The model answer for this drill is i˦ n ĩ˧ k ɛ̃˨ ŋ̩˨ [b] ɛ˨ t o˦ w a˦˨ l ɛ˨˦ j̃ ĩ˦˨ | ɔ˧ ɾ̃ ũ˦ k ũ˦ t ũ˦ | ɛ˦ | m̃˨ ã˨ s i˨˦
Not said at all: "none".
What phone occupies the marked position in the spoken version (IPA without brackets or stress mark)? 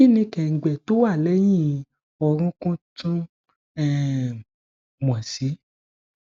ɡ͡b